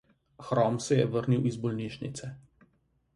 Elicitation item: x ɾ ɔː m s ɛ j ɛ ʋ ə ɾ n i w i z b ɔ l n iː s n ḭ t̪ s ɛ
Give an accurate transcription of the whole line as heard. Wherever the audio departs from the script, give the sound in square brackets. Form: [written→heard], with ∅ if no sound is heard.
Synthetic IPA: x ɾ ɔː m s ɛ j ɛ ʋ ə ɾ n i w i z b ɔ l n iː [s→ʃ] n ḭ t̪ s ɛ